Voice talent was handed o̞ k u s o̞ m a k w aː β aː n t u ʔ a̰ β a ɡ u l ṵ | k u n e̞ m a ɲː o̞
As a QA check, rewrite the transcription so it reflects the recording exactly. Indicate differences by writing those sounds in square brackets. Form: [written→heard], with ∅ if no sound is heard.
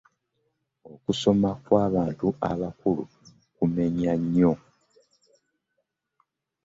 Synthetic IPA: o̞ k u s o̞ m a k w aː β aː n t u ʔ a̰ β a [ɡ→k] u l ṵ | k u [n→m] e̞ [m→ɲ] a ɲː o̞